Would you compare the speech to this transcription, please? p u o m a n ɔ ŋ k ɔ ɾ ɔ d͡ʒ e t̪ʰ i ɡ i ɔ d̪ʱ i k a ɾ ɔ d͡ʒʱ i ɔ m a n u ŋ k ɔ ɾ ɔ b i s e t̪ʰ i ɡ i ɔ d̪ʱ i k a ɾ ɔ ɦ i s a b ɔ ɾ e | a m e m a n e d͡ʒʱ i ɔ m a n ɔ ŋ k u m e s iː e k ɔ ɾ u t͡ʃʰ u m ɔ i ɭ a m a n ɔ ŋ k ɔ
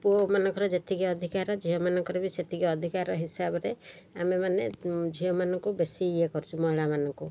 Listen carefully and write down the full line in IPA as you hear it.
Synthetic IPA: p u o m a n ɔ ŋ k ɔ ɾ ɔ d͡ʒ e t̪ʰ i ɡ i ɔ d̪ʱ i k a ɾ ɔ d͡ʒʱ i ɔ m a n ɔ ŋ k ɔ ɾ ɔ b i s e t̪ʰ i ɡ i ɔ d̪ʱ i k a ɾ ɔ ɦ i s a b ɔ ɾ e | a m e m a n e d͡ʒʱ i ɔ m a n ɔ ŋ k u b e s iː e k ɔ ɾ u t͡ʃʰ u m ɔ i ɭ a m a n ɔ ŋ k u